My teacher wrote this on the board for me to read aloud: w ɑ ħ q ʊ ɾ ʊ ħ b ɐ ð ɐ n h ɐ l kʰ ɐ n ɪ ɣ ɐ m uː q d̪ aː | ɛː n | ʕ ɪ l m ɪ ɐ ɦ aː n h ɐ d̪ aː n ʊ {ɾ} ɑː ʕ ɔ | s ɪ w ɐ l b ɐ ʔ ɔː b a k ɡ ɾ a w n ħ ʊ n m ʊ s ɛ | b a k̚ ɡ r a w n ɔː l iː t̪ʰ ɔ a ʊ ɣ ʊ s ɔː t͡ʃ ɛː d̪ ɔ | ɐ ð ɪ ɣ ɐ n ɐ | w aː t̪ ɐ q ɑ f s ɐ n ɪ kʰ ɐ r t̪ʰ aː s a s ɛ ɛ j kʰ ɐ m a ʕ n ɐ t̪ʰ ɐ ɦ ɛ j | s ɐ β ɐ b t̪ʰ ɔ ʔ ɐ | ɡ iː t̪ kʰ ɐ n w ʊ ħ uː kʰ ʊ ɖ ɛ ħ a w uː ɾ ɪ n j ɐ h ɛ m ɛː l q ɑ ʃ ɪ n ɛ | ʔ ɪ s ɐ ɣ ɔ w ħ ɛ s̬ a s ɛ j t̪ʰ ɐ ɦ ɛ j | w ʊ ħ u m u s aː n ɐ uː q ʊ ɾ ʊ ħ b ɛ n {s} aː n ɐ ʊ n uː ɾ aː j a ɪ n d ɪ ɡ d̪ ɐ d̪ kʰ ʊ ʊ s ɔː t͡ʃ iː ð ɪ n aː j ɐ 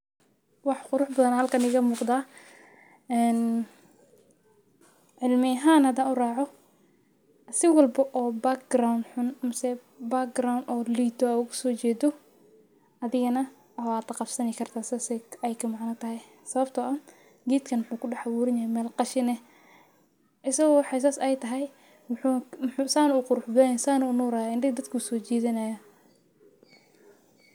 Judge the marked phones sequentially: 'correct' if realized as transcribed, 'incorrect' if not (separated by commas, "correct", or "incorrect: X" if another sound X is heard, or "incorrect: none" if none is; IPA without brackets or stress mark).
incorrect: r, correct